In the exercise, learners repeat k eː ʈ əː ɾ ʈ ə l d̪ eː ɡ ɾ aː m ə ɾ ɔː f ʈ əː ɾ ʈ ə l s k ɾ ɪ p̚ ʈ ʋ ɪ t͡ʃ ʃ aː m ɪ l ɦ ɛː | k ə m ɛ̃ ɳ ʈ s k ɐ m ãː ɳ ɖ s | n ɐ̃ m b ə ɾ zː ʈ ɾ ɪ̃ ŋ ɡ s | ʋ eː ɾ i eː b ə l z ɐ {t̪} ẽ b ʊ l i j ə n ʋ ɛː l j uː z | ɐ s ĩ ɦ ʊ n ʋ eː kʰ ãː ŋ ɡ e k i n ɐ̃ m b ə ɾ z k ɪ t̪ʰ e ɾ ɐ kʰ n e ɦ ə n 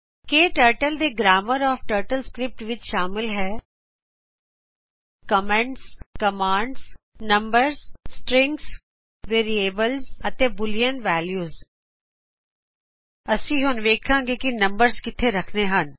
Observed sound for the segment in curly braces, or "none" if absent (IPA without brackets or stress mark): t̪